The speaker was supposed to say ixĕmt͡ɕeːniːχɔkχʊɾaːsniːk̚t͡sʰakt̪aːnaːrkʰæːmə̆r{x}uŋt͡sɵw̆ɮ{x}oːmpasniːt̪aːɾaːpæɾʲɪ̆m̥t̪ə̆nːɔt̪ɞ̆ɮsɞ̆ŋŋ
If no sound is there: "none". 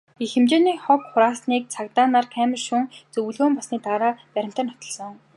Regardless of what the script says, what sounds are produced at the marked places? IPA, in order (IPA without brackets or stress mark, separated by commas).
ʃ, ɣ